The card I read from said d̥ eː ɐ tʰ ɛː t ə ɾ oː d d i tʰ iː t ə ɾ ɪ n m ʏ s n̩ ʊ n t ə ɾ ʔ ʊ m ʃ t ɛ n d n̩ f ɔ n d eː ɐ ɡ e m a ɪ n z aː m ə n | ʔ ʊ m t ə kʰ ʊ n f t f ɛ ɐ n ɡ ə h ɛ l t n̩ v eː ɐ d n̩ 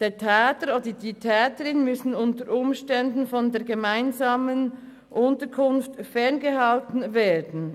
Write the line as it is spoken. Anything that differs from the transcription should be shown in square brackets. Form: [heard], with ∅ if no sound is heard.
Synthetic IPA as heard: d̥ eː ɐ tʰ ɛː t ə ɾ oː d d i tʰ [ɛː] t ə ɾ ɪ n m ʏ s n̩ ʊ n t ə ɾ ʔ ʊ m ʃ t ɛ n d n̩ f ɔ n d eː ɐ ɡ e m a ɪ n z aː m ə n | ʔ ʊ [n] t ə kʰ ʊ n f t f ɛ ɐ n ɡ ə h [a] l t n̩ v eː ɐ d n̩